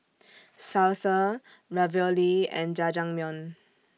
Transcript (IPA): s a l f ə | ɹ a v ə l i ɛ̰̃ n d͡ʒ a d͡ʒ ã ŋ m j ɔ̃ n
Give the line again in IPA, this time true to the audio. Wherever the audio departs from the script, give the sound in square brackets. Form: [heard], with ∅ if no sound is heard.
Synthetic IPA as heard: s a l [s] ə | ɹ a v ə l i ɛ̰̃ n d͡ʒ a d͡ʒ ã ŋ m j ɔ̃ n